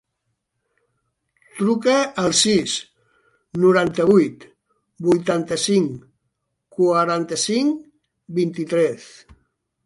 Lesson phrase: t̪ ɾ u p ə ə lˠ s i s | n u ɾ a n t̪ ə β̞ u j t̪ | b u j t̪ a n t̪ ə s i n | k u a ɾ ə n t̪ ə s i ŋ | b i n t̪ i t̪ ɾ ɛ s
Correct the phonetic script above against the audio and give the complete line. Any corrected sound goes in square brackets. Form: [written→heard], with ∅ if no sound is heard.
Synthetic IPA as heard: t̪ ɾ u [p→k] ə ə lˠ s i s | n u ɾ a n t̪ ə β̞ u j t̪ | b u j t̪ a n t̪ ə s i [n→ŋ] | k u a ɾ [ə→a] n t̪ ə s i ŋ | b i n t̪ i t̪ ɾ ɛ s